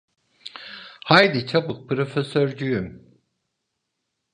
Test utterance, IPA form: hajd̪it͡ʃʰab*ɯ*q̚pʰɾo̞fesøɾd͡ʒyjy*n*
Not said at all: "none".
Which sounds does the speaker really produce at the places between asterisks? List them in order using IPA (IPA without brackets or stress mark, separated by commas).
ɯ, m